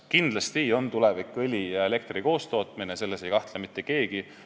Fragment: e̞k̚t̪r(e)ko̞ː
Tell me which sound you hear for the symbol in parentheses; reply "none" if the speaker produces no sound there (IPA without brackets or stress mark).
i